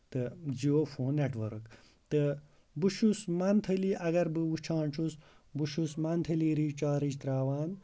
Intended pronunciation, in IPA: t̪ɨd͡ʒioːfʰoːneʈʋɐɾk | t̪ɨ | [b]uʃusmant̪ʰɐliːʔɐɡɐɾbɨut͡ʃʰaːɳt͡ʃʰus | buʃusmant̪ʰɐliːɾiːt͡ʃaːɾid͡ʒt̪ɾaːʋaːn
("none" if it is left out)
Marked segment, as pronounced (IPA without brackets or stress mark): b